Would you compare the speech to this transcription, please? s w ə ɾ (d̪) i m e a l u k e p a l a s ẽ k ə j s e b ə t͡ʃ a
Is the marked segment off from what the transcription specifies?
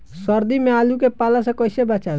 no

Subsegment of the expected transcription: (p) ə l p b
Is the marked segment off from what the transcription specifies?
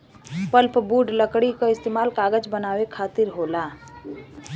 no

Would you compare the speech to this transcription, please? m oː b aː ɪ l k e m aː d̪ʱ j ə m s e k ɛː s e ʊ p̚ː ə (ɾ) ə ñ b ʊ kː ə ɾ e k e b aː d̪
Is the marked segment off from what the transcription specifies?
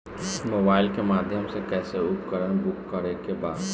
no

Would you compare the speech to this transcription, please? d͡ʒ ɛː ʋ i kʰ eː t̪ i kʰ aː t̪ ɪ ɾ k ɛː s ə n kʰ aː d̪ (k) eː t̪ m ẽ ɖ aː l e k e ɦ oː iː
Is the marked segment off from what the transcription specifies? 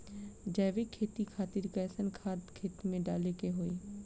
yes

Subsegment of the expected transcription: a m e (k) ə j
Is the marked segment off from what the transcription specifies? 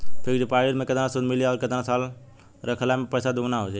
yes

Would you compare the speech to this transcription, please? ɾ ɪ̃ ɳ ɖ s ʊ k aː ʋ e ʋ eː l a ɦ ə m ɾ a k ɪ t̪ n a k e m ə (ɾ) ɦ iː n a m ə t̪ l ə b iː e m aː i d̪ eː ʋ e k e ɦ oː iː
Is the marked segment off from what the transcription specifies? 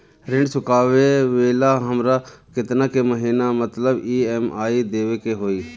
yes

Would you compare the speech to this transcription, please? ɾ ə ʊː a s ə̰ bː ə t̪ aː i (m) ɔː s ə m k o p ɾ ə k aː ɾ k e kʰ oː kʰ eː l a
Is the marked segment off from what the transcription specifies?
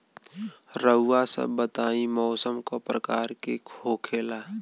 no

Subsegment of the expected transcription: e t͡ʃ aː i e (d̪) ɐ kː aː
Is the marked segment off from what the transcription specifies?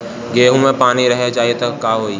yes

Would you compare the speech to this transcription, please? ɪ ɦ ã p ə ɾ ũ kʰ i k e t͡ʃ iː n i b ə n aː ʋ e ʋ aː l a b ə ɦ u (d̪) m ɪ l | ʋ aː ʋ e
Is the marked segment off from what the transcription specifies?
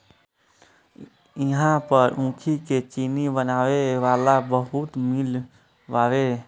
yes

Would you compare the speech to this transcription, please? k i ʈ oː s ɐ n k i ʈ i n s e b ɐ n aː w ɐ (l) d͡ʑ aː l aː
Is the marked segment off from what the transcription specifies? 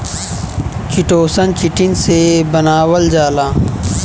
no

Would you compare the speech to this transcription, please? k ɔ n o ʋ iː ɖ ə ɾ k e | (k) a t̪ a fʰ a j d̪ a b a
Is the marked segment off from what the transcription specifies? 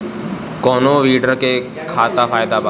yes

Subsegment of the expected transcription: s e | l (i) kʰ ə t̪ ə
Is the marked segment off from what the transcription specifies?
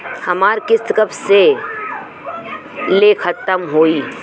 yes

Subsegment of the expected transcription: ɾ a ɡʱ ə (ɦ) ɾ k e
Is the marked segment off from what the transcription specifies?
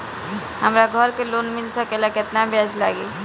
yes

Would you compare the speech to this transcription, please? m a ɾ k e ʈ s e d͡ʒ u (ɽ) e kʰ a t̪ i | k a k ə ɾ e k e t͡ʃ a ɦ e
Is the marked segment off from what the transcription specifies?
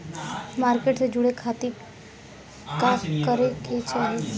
no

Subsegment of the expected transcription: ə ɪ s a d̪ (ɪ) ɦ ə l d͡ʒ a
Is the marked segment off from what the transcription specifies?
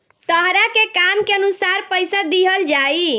yes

